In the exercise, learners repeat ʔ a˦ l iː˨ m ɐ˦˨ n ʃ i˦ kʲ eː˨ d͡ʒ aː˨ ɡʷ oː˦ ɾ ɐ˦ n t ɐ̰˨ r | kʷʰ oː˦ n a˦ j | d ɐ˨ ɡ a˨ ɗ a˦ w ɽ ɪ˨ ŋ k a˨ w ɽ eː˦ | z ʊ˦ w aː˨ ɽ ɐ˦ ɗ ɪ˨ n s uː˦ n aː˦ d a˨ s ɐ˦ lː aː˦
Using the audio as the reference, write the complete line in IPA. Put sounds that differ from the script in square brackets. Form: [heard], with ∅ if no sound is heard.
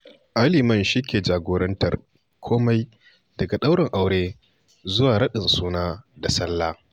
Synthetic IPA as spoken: ʔ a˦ l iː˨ m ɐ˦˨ n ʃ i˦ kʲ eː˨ d͡ʒ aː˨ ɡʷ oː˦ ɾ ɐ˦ n t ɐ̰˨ r | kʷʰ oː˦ [m] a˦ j | d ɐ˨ ɡ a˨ ɗ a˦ w ɽ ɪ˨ ŋ [ʔ] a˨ w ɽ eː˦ | z ʊ˦ w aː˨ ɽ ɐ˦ ɗ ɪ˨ n s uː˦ n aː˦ d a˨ s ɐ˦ lː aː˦